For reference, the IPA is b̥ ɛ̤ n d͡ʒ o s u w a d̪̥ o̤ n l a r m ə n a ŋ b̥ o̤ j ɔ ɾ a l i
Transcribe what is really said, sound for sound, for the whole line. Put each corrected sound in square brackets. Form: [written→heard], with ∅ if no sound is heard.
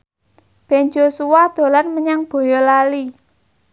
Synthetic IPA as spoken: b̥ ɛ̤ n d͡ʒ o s u w a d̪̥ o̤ [n→∅] l a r m ə [n→ɲ] a ŋ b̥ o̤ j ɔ [ɾ→l] a l i